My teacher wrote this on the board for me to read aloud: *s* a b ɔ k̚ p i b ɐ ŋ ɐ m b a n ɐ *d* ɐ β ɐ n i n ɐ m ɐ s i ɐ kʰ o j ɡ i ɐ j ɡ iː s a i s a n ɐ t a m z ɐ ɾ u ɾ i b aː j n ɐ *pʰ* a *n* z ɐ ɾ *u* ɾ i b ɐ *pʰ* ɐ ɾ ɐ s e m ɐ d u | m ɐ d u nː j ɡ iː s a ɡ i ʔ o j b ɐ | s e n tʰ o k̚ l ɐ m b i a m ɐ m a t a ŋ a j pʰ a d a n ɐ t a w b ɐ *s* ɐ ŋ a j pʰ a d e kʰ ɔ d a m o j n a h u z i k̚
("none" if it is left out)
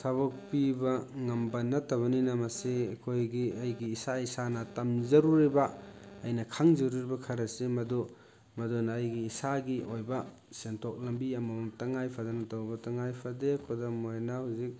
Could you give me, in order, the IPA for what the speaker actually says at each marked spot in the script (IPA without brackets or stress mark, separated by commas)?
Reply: s, t, kʰ, ŋ, u, kʰ, t